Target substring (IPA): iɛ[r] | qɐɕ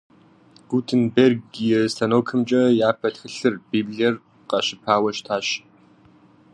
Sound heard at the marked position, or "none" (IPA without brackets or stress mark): r